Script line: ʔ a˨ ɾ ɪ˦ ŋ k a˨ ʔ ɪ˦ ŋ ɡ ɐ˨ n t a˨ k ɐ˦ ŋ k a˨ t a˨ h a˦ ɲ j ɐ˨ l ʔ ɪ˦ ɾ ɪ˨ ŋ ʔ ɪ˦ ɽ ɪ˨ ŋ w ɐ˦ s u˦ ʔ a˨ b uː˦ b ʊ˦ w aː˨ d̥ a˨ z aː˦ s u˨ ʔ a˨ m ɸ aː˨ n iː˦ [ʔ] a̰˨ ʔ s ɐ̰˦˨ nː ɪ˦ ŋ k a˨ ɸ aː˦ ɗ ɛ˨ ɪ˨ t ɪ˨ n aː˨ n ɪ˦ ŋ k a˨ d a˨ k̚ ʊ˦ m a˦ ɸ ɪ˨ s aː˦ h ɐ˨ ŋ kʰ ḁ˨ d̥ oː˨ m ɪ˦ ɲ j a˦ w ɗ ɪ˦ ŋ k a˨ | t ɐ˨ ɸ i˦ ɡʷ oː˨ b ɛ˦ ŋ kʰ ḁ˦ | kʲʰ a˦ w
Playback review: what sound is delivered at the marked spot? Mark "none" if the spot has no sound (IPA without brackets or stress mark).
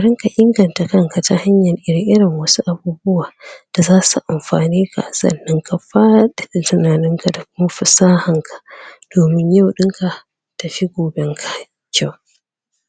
k